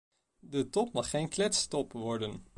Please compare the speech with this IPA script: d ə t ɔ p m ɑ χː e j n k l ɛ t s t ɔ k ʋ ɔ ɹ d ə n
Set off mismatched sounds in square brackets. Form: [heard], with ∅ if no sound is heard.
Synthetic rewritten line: d ə t ɔ p m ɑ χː e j n k l ɛ t s t ɔ [p] ʋ ɔ ɹ d ə n